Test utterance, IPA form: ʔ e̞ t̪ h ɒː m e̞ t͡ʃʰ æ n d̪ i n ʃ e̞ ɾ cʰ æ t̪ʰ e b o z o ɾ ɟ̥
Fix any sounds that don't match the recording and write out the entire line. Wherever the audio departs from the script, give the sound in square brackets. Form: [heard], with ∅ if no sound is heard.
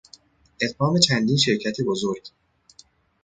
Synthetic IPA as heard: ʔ e̞ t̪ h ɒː m e̞ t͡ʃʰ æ n d̪ i n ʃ e̞ ɾ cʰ æ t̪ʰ e b o z o ɾ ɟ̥